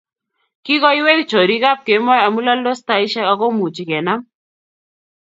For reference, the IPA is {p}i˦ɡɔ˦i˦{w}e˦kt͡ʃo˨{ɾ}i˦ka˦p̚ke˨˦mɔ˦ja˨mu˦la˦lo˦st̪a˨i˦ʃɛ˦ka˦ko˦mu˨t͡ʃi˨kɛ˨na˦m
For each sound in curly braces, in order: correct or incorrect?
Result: incorrect: k, correct, correct

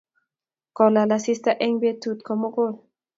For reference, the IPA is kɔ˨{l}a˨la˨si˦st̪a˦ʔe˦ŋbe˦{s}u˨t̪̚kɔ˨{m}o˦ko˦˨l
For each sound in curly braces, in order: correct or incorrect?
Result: correct, incorrect: t, correct

